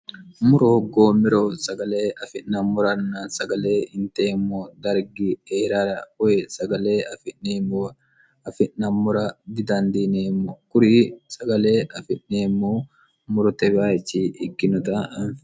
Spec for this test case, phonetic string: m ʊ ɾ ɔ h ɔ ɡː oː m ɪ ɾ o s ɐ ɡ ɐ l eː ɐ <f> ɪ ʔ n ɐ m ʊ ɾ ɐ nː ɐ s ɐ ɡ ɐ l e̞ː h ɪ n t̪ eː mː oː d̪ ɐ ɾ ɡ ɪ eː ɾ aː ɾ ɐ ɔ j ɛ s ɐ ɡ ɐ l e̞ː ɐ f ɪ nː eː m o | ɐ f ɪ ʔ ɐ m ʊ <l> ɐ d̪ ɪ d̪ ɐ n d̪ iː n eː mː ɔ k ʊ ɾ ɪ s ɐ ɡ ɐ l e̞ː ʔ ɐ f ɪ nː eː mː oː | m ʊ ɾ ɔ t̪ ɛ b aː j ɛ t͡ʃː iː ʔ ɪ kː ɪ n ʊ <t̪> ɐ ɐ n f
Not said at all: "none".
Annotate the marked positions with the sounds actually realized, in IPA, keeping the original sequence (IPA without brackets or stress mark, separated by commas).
f, ɾ, t̪